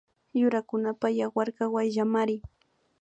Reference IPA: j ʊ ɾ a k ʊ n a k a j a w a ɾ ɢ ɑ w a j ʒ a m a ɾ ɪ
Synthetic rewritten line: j ʊ ɾ a k ʊ n a p a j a w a ɾ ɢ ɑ w a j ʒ a m a ɾ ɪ